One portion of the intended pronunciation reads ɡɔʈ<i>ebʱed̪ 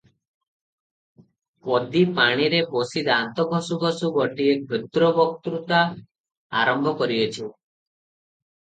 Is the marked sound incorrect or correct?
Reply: correct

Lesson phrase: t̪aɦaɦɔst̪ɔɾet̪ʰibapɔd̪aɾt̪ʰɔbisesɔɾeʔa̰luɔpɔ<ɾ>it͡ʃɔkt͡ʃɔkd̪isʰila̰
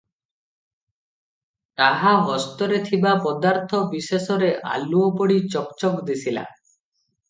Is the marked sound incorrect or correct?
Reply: incorrect: ɽ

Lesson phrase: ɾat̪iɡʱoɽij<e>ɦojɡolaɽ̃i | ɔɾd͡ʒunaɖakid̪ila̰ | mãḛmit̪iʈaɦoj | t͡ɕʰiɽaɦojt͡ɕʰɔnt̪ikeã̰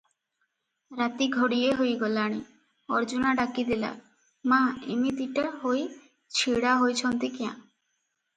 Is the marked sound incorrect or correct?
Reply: correct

